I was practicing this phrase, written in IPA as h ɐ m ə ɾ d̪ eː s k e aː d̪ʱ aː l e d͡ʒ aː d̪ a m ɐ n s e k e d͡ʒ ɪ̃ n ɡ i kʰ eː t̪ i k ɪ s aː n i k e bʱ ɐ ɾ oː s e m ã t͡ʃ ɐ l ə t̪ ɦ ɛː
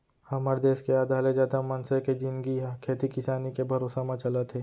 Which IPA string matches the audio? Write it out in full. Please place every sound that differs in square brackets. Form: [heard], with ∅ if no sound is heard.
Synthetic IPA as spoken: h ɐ m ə ɾ d̪ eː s k e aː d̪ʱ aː l e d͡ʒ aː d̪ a m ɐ n s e k e d͡ʒ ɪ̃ n ɡ i kʰ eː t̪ i k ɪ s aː n i k e bʱ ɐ ɾ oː s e m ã t͡ʃ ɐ l ə t̪ ɦ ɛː